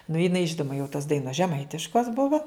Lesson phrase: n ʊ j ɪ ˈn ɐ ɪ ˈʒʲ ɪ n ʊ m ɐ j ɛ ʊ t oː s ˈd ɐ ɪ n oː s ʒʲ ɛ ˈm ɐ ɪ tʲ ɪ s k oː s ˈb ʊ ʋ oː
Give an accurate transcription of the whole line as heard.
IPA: n ʊ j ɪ ˈn ɐ ɪ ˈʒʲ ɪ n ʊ m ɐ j ɛ ʊ t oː s ˈd ɐ ɪ n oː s ʒʲ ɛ ˈm ɐ ɪ tʲ ɪ ʃ k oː s ˈb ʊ ʋ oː